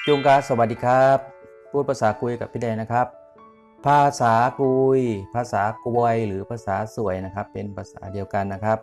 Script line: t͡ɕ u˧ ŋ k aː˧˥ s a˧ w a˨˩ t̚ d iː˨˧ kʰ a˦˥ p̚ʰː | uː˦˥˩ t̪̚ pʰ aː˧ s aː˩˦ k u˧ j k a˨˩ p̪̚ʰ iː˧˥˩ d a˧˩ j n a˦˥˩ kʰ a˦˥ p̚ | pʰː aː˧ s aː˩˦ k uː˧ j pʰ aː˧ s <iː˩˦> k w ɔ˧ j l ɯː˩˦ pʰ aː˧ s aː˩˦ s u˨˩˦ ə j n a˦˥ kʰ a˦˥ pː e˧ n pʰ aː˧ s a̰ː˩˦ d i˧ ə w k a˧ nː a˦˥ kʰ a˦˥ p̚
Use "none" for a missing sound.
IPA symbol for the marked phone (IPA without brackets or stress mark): aː˩˦